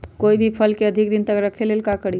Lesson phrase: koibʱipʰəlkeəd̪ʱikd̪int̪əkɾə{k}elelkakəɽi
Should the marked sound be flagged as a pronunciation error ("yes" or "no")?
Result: yes